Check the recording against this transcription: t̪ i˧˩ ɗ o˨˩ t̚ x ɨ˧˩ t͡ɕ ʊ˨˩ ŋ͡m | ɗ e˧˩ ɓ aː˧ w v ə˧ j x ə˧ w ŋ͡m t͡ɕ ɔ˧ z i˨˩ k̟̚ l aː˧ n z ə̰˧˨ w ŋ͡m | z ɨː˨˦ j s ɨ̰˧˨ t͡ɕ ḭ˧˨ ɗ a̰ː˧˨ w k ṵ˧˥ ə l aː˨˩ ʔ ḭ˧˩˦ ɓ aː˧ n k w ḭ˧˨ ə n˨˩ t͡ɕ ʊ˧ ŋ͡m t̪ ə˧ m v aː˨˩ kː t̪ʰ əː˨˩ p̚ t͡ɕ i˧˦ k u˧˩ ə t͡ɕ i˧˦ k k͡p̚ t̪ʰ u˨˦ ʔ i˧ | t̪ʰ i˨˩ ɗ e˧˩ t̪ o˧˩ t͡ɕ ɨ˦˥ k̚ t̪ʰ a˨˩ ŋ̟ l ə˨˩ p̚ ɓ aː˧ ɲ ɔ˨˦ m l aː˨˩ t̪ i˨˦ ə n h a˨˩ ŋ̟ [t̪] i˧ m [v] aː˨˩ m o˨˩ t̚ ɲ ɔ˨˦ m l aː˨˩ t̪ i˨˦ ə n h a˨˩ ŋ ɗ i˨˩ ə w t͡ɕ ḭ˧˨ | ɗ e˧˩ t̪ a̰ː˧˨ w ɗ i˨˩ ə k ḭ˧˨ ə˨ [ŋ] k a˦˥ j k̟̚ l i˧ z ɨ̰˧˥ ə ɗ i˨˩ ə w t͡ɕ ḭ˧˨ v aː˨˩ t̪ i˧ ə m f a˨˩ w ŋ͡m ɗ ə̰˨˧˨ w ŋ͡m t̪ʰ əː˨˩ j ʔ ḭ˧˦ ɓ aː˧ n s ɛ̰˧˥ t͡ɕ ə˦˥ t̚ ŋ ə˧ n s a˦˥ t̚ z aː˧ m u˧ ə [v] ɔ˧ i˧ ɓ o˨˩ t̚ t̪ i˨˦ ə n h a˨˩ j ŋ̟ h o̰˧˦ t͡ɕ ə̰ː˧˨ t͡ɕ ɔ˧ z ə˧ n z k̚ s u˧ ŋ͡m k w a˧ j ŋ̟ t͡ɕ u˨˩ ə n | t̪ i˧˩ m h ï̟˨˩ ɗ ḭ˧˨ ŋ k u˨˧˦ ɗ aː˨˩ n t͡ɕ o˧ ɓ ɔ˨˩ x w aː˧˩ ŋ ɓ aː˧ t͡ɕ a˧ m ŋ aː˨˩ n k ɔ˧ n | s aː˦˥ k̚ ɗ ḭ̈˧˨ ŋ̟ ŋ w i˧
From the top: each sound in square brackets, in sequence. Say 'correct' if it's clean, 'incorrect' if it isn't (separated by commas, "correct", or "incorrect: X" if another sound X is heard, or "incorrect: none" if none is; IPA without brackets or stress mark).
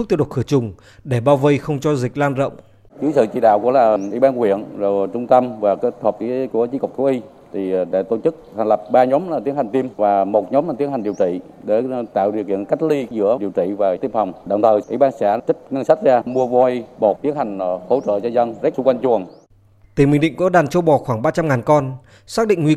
correct, correct, incorrect: n, correct